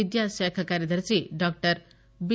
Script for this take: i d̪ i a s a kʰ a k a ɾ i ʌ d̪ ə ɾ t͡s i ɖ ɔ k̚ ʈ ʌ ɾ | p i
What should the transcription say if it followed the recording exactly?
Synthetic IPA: i d̪ j a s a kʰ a k a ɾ j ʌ d̪ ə ɾ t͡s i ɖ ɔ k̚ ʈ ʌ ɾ | b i